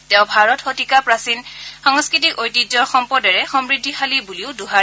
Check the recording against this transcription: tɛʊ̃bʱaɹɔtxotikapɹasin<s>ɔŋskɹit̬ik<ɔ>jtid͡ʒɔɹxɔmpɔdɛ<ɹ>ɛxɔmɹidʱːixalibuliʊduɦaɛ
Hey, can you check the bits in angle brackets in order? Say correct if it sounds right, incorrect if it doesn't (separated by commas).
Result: incorrect, incorrect, correct